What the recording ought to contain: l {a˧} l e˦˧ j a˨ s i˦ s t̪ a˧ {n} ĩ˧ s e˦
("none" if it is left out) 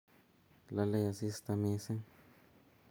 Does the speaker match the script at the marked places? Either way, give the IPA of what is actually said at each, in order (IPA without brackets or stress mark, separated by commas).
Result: a˧, m